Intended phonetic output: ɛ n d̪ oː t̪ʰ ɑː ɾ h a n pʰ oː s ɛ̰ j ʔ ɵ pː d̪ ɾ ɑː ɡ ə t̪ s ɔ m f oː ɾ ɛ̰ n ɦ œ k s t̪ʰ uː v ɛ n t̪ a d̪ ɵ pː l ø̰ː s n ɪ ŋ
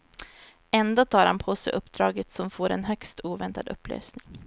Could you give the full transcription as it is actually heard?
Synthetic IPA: ɛ n d̪ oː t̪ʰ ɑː ɾ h a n pʰ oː s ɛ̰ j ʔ ɵ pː d̪ ɾ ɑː ɡ ə t̪ s ɔ m f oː ɾ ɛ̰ n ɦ œ k s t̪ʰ uː v ɛ n t̪ a d̪ ɵ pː l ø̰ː s n ɪ ŋ